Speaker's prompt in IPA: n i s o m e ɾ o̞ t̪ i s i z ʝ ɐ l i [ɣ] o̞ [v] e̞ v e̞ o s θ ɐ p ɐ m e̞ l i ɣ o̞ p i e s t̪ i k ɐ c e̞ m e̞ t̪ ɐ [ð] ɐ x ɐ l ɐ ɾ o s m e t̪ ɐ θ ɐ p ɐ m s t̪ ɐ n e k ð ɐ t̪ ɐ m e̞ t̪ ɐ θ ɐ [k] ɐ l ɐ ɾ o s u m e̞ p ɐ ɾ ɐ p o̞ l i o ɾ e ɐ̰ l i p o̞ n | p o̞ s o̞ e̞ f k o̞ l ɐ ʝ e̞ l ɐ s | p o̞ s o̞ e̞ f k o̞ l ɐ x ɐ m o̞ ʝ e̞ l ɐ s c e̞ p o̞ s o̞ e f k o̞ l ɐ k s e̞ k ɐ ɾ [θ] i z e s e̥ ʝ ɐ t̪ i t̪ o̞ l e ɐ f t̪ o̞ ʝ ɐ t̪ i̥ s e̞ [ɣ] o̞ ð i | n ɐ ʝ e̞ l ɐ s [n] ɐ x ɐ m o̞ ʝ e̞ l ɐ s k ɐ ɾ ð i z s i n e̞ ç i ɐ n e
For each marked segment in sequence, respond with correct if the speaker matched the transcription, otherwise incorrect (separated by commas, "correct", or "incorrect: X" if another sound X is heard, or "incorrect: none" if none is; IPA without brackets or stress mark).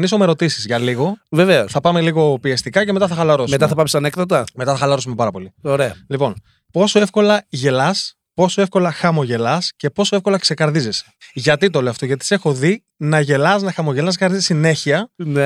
correct, correct, incorrect: θ, incorrect: x, incorrect: ð, incorrect: x, correct